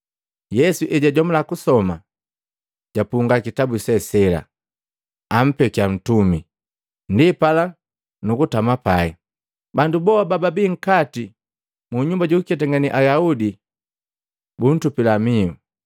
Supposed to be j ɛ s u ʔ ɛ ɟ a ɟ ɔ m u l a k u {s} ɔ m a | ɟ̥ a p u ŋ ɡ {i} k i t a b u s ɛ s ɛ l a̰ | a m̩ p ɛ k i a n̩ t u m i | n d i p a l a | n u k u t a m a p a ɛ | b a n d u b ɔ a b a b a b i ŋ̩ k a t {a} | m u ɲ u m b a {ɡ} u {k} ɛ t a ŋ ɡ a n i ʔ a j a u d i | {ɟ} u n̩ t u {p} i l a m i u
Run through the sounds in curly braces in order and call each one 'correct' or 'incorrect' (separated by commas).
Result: correct, incorrect, incorrect, incorrect, correct, incorrect, correct